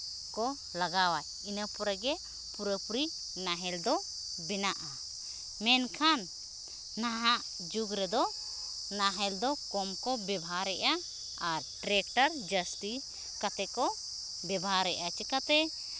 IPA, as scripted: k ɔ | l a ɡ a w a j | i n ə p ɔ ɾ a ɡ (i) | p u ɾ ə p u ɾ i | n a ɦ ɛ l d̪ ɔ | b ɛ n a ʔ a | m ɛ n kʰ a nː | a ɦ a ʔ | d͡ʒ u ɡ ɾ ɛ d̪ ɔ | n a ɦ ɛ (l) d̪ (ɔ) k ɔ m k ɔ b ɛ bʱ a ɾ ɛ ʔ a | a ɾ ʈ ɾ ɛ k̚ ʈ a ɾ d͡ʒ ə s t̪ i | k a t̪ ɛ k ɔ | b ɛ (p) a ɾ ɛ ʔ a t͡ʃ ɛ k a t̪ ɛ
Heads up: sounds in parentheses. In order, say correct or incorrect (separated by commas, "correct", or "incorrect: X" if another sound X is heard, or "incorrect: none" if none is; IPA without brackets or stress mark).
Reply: incorrect: ɛ, correct, correct, incorrect: b